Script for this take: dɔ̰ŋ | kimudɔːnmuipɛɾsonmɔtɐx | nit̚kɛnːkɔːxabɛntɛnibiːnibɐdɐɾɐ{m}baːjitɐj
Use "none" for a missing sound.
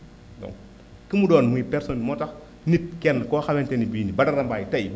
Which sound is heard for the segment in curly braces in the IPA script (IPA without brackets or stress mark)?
m